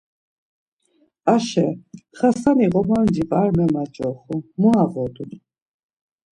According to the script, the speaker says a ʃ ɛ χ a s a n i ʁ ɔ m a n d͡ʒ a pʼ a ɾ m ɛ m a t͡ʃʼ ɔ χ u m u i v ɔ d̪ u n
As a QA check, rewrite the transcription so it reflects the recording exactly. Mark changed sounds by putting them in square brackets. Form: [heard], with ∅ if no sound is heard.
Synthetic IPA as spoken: a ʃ ɛ χ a s a n i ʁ ɔ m a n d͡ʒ [i] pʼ a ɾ m ɛ m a t͡ʃʼ ɔ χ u m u [a] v ɔ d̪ u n